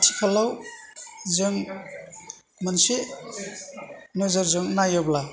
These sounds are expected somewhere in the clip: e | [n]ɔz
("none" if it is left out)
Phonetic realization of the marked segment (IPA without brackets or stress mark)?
n